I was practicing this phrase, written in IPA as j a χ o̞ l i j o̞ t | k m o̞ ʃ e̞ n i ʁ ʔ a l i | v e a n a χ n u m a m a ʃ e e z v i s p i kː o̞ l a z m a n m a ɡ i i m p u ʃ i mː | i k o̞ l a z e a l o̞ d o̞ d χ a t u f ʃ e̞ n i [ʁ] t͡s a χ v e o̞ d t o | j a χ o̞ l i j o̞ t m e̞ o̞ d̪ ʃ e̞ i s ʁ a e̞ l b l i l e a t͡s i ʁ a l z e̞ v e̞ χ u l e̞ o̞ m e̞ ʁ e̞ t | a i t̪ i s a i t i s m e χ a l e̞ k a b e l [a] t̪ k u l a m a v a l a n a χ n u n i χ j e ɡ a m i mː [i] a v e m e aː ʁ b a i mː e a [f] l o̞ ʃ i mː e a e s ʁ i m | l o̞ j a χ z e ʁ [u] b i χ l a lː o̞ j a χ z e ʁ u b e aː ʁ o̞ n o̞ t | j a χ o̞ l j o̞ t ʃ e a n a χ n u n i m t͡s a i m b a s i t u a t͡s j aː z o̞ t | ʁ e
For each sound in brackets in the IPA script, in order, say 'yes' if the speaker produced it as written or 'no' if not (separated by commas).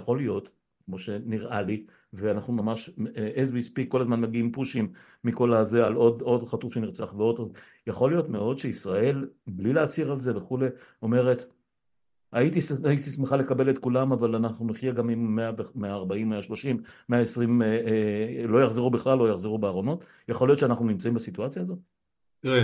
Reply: yes, no, no, no, yes